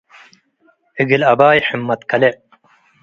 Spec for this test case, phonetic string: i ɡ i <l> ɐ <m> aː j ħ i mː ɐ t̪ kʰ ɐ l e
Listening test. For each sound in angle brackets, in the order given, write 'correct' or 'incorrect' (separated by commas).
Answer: correct, incorrect